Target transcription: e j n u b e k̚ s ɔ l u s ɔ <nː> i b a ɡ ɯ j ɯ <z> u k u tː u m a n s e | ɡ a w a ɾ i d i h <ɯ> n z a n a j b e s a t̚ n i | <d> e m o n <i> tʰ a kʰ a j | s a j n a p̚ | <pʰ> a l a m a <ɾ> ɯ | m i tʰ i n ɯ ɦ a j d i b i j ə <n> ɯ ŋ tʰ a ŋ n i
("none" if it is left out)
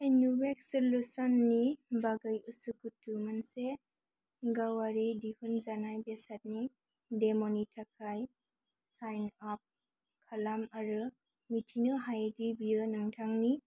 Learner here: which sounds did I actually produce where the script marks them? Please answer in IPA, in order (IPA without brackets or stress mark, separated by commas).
nː, s, u, d, i, kʰ, ɾ, n